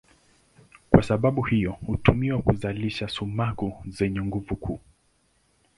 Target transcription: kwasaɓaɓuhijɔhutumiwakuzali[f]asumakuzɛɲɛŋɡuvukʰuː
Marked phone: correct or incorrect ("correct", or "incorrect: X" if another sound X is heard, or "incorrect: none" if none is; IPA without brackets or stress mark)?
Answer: incorrect: ʃ